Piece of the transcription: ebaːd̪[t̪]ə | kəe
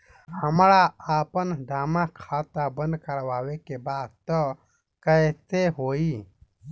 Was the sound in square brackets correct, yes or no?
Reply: yes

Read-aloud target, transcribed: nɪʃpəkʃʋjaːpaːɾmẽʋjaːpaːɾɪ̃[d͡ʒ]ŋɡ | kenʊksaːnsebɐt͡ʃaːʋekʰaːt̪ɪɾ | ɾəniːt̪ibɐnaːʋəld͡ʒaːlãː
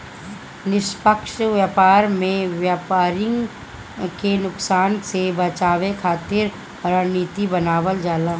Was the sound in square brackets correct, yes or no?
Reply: no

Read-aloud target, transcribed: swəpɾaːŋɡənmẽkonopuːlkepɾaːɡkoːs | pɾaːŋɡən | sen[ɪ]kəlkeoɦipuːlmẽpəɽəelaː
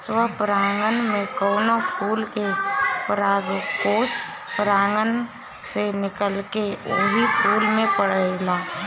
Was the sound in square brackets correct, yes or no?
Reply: yes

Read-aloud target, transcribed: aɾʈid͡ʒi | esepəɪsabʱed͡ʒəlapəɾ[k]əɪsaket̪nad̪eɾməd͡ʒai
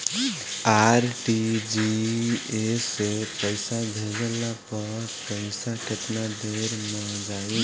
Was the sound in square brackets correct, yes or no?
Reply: no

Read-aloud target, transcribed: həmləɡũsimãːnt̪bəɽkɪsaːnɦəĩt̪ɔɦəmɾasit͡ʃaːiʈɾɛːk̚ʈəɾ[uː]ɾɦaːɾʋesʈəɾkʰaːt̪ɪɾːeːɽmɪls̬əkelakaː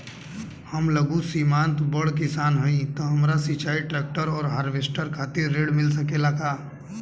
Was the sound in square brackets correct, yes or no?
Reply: no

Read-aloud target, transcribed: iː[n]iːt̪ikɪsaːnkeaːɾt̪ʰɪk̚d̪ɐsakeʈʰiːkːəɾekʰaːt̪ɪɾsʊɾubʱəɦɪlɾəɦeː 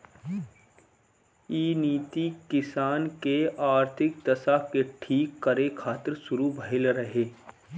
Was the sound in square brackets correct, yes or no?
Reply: yes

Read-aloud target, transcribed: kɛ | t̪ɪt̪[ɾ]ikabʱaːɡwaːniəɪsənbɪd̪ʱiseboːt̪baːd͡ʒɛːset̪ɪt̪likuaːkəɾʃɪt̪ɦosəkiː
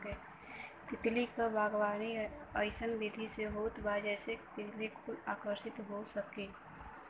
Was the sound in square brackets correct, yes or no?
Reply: no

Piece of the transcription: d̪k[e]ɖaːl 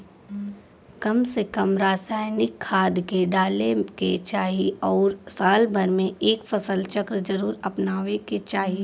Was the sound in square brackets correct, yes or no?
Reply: yes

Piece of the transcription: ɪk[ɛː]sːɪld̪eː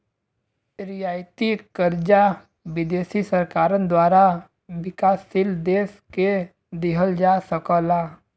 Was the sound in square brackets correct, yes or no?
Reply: no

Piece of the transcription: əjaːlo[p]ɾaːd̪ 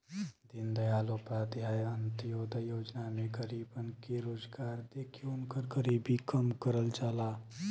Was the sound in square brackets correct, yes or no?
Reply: yes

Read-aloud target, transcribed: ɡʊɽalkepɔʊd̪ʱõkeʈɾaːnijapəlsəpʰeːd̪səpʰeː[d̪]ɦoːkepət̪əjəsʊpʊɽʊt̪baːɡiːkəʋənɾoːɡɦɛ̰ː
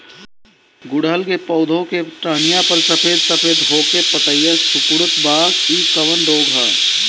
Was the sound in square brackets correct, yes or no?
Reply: yes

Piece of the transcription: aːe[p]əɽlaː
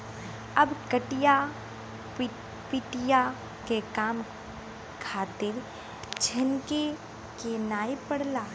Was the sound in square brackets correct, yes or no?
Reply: yes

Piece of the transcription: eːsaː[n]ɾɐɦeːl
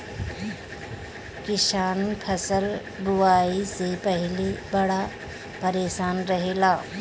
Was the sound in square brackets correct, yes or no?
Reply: yes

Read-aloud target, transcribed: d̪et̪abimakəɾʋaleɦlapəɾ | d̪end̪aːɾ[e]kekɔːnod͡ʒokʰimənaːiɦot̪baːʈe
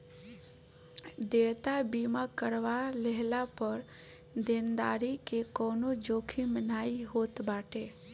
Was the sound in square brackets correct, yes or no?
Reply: no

